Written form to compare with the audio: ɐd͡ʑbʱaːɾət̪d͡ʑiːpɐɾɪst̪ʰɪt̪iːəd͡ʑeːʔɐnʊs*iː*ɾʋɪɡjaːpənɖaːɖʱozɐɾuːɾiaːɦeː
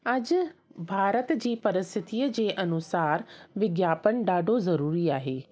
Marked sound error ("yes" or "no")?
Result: yes